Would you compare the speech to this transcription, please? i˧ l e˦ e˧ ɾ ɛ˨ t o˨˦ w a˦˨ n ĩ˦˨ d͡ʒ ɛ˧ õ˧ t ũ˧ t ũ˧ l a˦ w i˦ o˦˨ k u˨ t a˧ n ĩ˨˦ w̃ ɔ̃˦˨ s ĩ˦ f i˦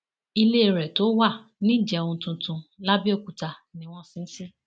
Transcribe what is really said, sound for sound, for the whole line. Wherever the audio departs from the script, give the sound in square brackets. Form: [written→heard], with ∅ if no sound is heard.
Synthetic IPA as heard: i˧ l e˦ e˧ ɾ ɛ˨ t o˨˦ w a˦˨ n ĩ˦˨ d͡ʒ ɛ˧ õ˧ t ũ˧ t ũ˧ l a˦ [w→b] i˦ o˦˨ k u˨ t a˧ n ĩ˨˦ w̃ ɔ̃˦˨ s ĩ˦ [f→s] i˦

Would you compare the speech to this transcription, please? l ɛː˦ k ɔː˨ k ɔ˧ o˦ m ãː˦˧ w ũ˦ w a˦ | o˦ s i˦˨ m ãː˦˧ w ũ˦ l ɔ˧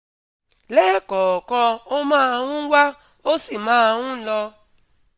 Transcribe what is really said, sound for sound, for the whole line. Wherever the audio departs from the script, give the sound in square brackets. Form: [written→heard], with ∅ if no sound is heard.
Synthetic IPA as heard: l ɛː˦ k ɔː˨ k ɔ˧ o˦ m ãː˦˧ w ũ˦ w a˦ | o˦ s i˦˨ m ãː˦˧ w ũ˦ l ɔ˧

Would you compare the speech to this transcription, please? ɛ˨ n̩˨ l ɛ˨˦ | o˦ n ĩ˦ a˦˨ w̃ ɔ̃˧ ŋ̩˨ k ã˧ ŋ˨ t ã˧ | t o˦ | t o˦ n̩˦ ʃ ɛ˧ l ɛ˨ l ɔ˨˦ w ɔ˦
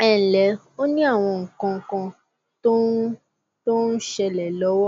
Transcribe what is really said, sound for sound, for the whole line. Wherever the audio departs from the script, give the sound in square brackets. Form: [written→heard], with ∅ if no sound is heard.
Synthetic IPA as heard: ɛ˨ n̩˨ l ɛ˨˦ | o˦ n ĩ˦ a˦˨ w̃ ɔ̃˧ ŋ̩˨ k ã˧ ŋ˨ [t→k] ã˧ | t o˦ | t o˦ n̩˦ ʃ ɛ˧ l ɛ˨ l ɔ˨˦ w ɔ˦

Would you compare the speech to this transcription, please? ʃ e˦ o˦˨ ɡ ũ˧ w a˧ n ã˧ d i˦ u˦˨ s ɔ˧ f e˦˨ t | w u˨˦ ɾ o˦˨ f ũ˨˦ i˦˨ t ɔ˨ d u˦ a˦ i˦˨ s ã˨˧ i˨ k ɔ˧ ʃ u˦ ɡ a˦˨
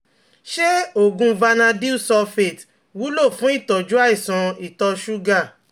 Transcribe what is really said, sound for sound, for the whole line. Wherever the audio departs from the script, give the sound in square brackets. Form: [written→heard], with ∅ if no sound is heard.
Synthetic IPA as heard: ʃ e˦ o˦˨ ɡ ũ˧ [w→v] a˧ n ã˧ d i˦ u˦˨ s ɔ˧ f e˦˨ t | w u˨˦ [ɾ→l] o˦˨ f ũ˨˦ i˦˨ t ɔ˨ [d→d͡ʒ] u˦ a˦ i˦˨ s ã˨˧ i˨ [k→t] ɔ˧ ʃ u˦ ɡ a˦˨

